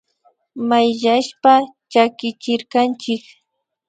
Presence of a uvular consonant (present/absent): absent